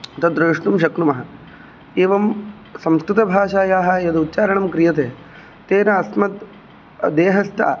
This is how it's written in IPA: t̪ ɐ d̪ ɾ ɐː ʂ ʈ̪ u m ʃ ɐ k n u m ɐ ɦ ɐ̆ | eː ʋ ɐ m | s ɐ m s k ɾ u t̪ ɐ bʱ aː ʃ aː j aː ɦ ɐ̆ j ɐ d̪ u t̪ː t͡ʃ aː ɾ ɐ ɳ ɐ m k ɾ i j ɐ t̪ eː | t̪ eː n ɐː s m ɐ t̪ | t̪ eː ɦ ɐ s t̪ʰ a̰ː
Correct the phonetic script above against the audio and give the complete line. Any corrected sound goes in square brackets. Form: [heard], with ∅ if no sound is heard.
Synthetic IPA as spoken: t̪ ɐ d̪ ɾ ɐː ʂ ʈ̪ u m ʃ ɐ k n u m ɐ ɦ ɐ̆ | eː ʋ ɐ m | s ɐ m s k ɾ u t̪ ɐ bʱ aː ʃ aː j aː ɦ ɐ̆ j ɐ d̪ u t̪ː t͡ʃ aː ɾ ɐ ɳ ɐ m k ɾ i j ɐ t̪ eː | t̪ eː n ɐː s m ɐ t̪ | [d̪] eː ɦ ɐ s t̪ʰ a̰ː